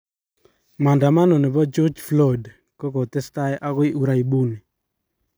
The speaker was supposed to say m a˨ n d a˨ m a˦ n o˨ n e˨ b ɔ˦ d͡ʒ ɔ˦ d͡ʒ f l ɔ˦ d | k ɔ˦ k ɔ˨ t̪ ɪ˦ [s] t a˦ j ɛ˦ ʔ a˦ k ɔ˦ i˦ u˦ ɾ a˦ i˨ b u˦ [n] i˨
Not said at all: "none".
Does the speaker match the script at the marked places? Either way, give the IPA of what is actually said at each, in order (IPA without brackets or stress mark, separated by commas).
s, n